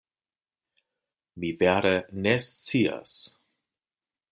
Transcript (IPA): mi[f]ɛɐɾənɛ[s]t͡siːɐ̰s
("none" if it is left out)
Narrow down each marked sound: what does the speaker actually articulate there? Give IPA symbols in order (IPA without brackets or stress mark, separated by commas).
v, s